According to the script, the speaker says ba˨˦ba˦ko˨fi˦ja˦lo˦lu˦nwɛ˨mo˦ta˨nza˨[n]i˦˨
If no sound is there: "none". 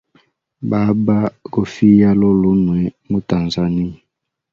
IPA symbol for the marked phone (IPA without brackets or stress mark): n